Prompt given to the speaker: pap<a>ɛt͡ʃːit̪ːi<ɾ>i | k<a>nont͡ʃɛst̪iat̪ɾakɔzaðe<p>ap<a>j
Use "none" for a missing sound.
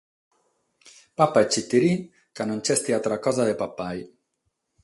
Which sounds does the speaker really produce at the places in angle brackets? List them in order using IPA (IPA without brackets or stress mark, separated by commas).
a, ɾ, a, p, a